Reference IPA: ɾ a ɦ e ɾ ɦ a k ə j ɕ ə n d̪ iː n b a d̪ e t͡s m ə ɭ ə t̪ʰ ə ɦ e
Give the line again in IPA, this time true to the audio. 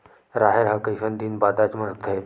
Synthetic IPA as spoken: ɾ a ɦ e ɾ ɦ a k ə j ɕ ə n d̪ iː n b a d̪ a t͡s m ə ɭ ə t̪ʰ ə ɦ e